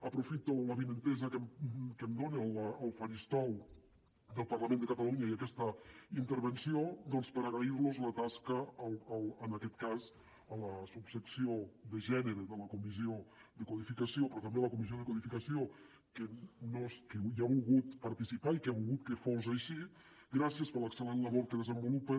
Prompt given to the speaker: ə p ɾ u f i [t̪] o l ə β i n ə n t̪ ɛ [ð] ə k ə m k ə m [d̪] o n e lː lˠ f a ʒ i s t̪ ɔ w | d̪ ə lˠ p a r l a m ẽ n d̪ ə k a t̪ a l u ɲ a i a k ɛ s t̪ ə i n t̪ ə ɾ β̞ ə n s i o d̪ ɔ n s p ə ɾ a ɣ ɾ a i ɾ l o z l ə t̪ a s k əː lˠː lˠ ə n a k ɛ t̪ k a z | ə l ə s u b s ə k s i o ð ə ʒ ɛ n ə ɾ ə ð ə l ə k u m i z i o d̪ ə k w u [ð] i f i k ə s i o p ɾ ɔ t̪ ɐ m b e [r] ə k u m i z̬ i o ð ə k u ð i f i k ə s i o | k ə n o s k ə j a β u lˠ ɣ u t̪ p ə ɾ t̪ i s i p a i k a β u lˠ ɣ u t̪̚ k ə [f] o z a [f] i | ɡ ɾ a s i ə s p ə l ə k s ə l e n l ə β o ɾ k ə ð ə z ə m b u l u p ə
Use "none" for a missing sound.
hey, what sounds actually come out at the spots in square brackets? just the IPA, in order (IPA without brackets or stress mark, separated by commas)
t̪, z, d̪, ð, l, f, ʃ